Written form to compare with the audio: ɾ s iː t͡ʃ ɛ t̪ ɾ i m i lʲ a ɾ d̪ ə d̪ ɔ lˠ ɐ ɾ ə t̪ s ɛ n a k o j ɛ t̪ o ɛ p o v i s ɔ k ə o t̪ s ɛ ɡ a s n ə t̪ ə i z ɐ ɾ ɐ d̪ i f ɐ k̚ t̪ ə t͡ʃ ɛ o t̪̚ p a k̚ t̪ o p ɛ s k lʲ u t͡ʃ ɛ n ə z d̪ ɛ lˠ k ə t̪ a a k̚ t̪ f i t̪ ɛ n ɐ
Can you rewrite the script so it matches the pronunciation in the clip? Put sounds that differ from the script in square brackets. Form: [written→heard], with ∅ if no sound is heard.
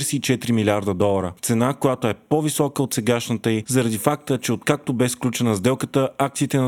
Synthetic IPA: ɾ s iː t͡ʃ ɛ t̪ ɾ i m i lʲ a ɾ d̪ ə d̪ ɔ lˠ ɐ ɾ ə t̪ s ɛ n a k o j [ɛ→a] t̪ o ɛ p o v i s ɔ k ə o t̪ s ɛ ɡ a [s→ʃ] n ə t̪ ə i z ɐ ɾ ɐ d̪ i f [ɐ→a] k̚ t̪ ə t͡ʃ ɛ o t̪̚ [p→k] a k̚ t̪ o [p→b] ɛ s k lʲ u t͡ʃ ɛ n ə z d̪ ɛ lˠ k ə t̪ [a→ə] a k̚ t̪ [f→s] i t̪ ɛ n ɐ